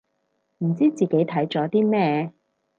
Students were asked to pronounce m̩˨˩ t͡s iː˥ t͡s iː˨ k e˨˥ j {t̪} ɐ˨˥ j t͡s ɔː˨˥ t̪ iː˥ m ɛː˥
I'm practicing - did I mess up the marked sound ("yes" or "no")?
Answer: yes